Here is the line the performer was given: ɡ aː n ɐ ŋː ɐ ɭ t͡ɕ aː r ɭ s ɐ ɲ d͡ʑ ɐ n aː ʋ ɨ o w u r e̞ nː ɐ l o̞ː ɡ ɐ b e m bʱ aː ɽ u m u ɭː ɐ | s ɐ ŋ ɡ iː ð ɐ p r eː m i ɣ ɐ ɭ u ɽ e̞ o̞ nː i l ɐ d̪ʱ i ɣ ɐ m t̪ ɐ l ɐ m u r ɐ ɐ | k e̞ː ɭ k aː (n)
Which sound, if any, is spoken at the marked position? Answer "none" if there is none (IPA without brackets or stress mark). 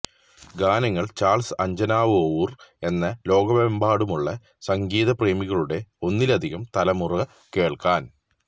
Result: n